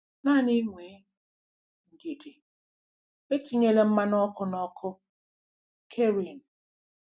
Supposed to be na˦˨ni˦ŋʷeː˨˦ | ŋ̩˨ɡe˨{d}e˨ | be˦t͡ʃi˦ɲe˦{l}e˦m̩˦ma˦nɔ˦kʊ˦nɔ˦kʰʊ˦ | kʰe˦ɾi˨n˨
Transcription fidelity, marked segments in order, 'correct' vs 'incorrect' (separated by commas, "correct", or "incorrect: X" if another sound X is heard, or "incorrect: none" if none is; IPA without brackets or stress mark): correct, correct